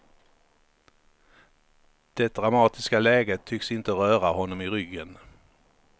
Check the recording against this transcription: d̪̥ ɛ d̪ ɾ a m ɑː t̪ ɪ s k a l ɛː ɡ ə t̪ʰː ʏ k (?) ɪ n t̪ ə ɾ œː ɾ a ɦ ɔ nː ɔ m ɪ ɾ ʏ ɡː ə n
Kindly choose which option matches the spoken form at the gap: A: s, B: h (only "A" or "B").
A